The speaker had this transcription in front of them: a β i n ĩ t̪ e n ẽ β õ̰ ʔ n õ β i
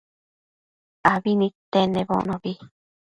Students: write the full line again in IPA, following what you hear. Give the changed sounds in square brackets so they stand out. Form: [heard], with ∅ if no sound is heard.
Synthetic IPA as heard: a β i n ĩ t̪ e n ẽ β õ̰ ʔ n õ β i